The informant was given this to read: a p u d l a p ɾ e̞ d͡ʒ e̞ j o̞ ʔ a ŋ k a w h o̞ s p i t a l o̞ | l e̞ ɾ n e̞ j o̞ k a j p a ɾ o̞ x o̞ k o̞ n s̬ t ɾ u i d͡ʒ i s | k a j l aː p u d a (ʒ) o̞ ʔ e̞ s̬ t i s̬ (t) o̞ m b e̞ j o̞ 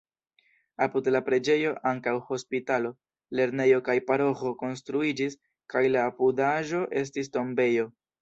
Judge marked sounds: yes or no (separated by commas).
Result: yes, yes